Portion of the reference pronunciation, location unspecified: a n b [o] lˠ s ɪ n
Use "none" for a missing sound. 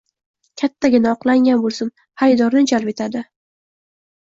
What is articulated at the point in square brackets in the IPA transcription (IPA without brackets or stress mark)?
o